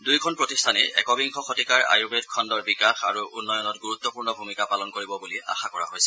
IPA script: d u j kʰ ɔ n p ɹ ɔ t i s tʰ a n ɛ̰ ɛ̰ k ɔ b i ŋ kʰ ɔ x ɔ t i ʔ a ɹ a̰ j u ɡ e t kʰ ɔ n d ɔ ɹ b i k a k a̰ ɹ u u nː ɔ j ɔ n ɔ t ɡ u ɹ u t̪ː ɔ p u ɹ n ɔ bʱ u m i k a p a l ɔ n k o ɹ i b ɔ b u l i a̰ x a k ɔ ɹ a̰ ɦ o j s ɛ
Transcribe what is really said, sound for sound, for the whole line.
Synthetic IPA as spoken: d u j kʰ ɔ n p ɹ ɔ t i s tʰ a n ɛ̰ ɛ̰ k ɔ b i ŋ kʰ ɔ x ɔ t i k a ɹ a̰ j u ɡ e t kʰ ɔ n d ɔ ɹ b i k a x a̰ ɹ u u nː ɔ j ɔ n ɔ t ɡ u ɹ u t̪ː ɔ p u ɹ n ɔ bʱ u m i k a p a l ɔ n k o ɹ i b ɔ b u l i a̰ x a k ɔ ɹ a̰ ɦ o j s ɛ